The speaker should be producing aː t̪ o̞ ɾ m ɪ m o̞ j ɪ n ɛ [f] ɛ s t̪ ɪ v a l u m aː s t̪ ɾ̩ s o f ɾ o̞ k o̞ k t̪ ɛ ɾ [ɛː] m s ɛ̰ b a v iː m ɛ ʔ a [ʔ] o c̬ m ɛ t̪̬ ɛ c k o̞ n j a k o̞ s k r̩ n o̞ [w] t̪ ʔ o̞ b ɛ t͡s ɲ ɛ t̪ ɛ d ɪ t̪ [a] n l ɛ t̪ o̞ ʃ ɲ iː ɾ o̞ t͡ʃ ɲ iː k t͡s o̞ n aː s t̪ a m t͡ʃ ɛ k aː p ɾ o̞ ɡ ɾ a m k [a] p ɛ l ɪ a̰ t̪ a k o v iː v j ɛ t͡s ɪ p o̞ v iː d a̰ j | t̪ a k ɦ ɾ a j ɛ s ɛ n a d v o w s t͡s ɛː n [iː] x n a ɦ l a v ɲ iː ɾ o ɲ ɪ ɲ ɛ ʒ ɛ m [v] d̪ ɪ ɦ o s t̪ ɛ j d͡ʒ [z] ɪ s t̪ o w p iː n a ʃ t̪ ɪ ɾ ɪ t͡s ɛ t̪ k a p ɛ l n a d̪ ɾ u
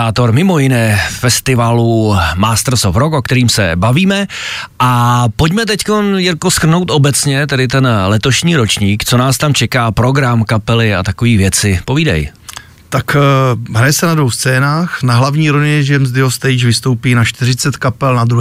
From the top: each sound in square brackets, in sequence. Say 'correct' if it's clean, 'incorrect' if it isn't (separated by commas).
correct, incorrect, incorrect, correct, incorrect, correct, incorrect, incorrect, incorrect